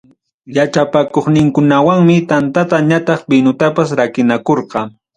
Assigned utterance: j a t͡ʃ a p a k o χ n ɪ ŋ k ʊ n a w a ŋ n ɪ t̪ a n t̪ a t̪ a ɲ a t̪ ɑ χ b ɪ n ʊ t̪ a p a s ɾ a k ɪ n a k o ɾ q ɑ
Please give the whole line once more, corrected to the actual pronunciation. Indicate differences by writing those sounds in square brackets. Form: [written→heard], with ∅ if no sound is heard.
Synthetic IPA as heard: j a t͡ʃ a p a k o χ n ɪ ŋ k ʊ n a w a ŋ [n→m] ɪ t̪ a n t̪ a t̪ a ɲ a t̪ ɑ χ b ɪ n ʊ t̪ a p a s ɾ a k ɪ n a k o ɾ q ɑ